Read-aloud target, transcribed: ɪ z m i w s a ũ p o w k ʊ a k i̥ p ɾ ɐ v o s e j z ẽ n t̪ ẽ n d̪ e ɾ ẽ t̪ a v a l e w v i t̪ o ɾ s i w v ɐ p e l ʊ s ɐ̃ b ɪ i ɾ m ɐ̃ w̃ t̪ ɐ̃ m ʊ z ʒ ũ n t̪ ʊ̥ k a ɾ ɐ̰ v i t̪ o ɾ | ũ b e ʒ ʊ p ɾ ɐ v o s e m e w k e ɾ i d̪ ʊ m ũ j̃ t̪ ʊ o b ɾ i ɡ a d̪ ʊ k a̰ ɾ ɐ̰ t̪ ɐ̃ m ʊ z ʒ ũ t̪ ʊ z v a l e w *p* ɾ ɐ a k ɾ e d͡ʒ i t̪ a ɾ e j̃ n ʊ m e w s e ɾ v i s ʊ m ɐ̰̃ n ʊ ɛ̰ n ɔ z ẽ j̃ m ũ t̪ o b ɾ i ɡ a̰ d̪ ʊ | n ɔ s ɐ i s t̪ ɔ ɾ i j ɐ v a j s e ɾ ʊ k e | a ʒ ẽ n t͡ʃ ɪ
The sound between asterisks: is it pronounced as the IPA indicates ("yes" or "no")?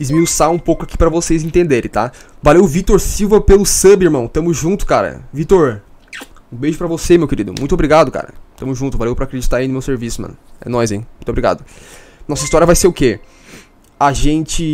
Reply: yes